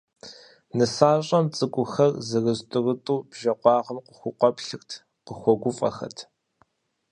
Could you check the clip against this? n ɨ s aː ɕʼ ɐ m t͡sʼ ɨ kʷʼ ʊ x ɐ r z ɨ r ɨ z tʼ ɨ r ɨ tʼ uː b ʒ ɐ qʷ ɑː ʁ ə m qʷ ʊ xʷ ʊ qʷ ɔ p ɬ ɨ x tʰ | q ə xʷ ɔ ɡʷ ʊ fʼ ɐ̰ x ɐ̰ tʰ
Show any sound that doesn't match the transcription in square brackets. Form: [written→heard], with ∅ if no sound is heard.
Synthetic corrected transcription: n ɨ s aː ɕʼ ɐ m t͡sʼ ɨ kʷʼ ʊ x ɐ r z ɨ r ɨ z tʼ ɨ r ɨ tʼ uː b ʒ ɐ qʷ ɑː ʁ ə m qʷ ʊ xʷ ʊ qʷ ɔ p ɬ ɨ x tʰ | q ə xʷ ɔ ɡʷ ʊ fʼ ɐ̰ x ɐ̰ tʰ